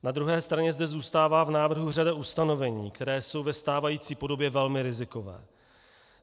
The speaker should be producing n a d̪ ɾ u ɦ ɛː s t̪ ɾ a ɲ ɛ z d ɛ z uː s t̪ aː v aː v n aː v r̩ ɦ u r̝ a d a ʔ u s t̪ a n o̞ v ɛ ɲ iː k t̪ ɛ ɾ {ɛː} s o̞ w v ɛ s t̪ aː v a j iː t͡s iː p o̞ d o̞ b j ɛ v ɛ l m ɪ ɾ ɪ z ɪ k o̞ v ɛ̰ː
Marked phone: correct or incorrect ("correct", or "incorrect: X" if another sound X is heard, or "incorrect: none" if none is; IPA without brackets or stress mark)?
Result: correct